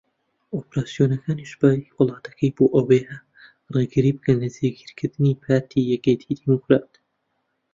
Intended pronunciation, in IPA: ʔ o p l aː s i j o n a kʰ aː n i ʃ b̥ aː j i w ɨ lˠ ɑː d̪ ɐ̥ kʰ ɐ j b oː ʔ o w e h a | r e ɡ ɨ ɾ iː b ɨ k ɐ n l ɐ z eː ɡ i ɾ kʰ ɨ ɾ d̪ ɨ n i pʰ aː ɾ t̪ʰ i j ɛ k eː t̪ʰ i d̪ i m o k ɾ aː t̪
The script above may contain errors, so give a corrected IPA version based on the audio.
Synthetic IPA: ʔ o p ɾ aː s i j o n ɐ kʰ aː n i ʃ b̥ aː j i w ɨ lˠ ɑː t̪ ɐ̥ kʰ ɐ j b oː ʔ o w e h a | r e ɡ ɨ ɾ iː b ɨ k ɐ n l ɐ z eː ɡ i ɾ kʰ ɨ ɾ d̪ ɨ n i pʰ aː ɾ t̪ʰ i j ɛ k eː t̪ʰ i d̪ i m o k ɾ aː t̪